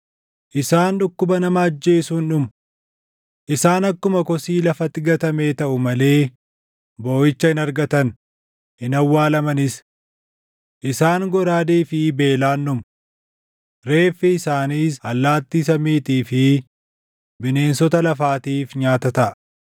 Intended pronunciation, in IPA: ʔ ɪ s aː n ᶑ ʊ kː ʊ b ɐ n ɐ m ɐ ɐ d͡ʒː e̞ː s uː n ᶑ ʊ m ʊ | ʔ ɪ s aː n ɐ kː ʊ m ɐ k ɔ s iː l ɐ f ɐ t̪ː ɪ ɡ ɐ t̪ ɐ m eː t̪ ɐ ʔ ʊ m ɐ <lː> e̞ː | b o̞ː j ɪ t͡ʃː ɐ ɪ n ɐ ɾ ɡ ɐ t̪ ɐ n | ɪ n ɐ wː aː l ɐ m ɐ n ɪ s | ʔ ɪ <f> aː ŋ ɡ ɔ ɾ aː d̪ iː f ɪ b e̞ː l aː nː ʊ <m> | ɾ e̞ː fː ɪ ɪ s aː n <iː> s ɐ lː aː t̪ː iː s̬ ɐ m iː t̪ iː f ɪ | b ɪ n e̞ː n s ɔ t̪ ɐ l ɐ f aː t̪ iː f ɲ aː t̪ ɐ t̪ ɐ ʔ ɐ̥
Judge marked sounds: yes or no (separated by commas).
no, no, yes, yes